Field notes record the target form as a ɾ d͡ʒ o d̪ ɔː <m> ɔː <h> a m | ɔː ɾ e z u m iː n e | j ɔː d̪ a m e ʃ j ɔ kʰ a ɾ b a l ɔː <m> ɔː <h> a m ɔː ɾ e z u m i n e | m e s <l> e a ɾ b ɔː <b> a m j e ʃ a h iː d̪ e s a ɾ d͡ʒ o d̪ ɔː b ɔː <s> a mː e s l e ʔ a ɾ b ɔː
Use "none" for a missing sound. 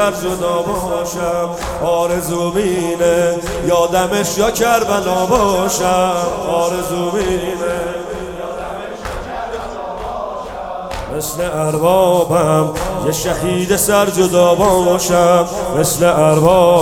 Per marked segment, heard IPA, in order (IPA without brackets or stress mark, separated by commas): b, ʃ, b, ʃ, l, b, ʃ